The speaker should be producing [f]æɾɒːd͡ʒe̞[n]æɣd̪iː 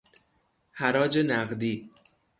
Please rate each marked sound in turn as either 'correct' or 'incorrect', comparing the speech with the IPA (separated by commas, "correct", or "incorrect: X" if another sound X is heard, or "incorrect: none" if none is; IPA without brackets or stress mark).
incorrect: h, correct